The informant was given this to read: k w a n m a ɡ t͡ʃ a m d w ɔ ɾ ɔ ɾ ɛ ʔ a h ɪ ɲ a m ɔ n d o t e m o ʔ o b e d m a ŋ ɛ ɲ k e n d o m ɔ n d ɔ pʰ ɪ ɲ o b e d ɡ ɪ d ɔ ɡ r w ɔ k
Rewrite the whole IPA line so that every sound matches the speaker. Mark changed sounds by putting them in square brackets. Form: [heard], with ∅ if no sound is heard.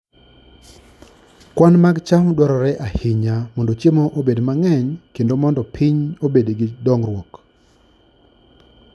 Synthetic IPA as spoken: k w a n m a ɡ t͡ʃ a m d w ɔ ɾ ɔ ɾ ɛ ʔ a h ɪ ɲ a m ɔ n d o [t͡ʃ] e m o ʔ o b e d m a ŋ ɛ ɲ k e n d o m ɔ n d ɔ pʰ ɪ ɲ o b e d ɡ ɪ d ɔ [ŋ] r w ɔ k